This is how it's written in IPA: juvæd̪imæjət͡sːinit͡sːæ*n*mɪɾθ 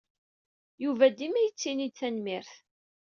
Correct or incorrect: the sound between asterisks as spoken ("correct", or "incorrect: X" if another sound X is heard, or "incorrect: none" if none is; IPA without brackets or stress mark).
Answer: correct